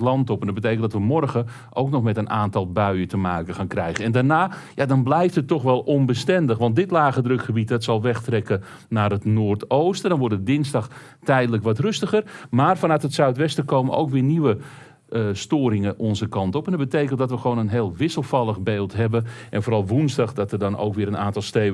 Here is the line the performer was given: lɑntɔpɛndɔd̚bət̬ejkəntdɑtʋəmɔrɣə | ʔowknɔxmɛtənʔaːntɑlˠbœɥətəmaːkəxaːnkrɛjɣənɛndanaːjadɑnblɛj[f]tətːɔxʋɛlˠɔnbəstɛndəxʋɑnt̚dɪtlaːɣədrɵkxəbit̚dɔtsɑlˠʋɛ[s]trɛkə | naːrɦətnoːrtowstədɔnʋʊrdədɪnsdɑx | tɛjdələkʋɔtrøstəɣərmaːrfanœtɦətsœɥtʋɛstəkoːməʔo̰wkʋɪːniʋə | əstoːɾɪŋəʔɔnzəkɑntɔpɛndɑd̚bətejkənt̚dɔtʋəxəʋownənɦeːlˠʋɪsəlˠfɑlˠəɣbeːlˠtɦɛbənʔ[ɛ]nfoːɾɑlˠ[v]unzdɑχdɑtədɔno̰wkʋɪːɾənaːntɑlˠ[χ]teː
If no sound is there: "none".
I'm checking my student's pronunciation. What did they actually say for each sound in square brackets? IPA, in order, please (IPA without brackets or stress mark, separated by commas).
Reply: f, x, ɛ, ʋ, s